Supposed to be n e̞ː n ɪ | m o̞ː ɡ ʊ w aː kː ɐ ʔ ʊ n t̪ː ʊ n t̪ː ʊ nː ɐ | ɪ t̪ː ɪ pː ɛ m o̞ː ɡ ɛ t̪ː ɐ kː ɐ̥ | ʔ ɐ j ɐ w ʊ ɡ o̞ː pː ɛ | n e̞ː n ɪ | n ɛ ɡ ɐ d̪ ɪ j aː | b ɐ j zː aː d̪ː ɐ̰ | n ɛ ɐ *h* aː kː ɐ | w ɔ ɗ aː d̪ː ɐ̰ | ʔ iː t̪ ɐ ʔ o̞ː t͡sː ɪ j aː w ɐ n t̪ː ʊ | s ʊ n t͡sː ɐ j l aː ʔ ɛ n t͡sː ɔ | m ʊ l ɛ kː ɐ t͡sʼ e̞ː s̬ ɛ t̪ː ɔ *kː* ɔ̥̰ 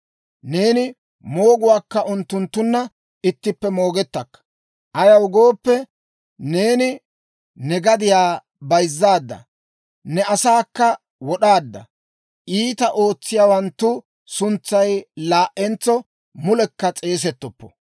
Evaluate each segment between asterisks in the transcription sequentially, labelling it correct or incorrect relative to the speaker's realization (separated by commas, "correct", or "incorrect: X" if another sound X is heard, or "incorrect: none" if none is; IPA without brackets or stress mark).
incorrect: s, incorrect: pː